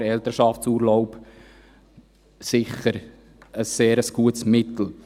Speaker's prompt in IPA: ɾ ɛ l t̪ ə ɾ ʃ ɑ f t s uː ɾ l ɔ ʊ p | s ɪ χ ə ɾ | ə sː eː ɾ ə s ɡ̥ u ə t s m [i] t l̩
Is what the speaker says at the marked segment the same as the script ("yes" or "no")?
no